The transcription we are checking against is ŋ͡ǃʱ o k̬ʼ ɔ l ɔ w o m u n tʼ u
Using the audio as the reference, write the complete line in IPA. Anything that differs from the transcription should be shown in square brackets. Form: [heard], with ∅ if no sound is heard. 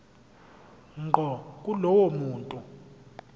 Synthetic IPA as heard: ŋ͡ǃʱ [ɔ] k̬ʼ [u] l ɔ w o m [uː] n tʼ u

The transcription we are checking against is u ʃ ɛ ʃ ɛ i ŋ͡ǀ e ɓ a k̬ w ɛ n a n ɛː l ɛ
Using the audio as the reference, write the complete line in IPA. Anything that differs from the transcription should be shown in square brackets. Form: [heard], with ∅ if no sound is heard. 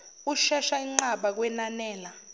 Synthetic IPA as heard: u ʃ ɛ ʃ [a] i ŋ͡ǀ [a] ɓ a k̬ w ɛ n a n ɛː l [a]

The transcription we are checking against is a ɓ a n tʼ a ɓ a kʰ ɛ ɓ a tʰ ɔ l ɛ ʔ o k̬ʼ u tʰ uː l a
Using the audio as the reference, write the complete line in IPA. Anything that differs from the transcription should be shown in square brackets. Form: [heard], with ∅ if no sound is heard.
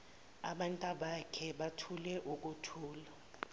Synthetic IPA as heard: a ɓ a n tʼ a ɓ a kʰ ɛ ɓ a tʰ [u] l ɛ ʔ [u] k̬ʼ u tʰ uː l a

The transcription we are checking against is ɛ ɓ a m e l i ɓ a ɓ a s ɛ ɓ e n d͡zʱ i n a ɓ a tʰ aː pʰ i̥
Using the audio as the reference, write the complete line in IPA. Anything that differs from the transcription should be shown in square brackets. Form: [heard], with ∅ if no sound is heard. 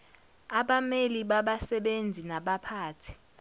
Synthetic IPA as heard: [a] ɓ a m e l i ɓ a ɓ a s ɛ ɓ e n d͡zʱ i n a ɓ a [pʰ] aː [tʰ] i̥

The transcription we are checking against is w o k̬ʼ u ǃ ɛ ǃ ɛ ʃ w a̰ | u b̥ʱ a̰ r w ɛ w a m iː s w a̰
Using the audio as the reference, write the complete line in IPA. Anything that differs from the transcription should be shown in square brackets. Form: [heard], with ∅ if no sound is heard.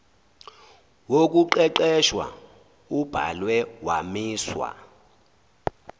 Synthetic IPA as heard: w o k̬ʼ u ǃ ɛ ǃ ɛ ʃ w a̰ | u b̥ʱ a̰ [l] w ɛ w a m iː s w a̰

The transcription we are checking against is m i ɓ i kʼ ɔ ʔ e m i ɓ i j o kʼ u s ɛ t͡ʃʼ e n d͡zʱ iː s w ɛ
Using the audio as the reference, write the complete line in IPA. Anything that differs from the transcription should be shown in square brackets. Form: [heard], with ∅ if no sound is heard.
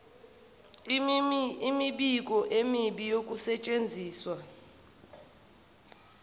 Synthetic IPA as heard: m i ɓ i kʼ ɔ ʔ e m i ɓ i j o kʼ u s ɛ t͡ʃʼ e n d͡zʱ iː s w [a]

